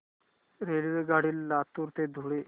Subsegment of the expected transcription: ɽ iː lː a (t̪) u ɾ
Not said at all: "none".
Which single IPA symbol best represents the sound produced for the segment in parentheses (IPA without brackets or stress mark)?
t̪